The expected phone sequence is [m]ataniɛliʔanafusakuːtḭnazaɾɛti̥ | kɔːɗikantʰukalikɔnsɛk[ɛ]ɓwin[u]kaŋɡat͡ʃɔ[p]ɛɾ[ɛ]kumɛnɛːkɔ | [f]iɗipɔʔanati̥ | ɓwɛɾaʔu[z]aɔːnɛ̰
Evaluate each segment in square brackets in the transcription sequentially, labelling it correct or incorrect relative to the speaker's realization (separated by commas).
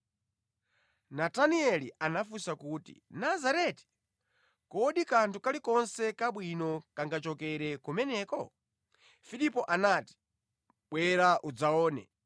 incorrect, incorrect, incorrect, incorrect, correct, correct, incorrect